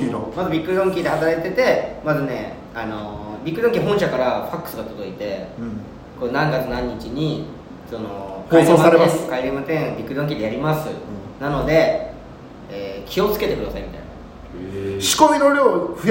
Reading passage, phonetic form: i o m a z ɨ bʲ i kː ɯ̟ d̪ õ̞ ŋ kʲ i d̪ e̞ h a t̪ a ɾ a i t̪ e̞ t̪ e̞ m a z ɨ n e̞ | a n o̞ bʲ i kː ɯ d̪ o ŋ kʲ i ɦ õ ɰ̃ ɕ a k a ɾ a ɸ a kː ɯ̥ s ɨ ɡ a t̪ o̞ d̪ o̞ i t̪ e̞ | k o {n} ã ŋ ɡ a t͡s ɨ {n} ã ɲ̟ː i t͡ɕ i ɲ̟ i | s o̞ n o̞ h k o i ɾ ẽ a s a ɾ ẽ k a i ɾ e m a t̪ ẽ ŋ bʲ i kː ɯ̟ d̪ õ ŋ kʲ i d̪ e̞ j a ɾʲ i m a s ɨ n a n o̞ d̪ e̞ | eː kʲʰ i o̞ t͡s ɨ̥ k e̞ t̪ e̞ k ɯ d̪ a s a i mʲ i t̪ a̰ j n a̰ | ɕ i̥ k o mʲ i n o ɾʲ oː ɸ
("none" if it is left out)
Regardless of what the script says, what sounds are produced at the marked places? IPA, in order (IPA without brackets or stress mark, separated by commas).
n, n